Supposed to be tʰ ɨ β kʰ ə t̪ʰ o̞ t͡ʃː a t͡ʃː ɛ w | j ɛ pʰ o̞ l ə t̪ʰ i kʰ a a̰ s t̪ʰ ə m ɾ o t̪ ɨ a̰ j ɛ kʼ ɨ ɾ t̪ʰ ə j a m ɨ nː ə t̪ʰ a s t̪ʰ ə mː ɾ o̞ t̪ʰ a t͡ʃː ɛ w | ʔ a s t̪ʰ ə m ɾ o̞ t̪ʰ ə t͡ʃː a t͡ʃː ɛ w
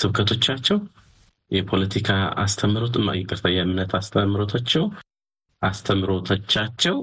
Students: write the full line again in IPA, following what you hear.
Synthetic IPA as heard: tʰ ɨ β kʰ ə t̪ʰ o̞ t͡ʃː a t͡ʃː ɛ w | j ɛ pʰ o̞ l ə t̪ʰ i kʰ a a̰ s t̪ʰ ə m ɾ o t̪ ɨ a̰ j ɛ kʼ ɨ ɾ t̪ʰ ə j a m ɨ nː ə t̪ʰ a s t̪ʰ ə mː ɾ o̞ t̪ʰ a t͡ʃː ɛ w | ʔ a s t̪ʰ ə m ɾ o̞ t̪ʰ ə t͡ʃː a t͡ʃː ɛ w